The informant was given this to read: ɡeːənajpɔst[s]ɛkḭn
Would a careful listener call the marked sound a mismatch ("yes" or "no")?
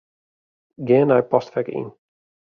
yes